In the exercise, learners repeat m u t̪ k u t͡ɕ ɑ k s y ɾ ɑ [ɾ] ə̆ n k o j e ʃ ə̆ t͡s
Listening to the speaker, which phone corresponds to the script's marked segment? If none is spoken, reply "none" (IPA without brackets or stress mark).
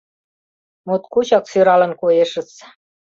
l